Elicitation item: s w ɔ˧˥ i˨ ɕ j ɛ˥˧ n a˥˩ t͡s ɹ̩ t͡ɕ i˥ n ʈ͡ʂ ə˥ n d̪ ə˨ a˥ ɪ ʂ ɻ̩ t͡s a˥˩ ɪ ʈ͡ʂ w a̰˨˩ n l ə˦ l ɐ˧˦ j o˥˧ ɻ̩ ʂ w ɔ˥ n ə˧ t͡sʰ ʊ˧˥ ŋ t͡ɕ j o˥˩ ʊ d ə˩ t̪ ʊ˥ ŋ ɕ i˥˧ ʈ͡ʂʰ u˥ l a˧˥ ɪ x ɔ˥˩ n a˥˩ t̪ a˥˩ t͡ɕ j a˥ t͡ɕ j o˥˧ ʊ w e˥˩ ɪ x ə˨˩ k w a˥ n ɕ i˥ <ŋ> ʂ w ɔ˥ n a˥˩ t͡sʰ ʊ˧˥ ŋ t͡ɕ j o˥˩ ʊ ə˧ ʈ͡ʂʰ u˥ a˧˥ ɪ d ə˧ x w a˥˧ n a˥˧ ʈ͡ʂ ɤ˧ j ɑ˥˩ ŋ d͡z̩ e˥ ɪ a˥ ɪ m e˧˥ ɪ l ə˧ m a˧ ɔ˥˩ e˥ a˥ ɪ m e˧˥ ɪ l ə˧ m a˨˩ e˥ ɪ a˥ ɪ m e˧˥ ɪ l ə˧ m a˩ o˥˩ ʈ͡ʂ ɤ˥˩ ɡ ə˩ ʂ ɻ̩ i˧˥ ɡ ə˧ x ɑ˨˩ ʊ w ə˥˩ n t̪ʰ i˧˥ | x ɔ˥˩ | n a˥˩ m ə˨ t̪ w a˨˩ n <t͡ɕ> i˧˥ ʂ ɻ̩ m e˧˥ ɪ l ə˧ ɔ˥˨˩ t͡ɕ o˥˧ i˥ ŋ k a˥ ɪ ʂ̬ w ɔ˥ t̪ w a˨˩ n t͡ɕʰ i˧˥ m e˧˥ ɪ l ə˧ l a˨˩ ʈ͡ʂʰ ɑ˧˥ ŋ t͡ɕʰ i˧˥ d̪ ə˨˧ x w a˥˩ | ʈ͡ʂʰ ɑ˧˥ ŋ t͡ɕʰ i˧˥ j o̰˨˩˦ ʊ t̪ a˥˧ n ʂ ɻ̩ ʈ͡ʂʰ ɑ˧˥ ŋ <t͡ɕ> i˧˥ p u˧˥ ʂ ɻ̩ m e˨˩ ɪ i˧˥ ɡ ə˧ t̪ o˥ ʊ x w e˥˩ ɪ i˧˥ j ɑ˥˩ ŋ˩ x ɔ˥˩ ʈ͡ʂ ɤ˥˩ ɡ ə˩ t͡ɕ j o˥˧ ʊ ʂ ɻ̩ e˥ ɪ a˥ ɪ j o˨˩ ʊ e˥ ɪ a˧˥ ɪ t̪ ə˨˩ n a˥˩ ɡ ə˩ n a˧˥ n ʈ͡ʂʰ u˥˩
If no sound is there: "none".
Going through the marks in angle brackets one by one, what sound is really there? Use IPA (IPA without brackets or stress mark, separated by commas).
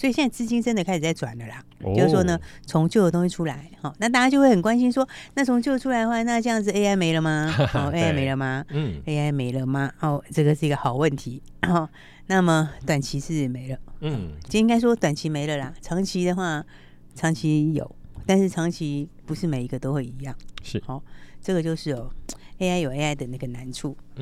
n, t͡ɕʰ, t͡ɕʰ